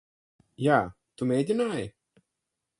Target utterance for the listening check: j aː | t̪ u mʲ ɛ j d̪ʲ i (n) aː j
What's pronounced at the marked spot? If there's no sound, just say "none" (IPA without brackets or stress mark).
n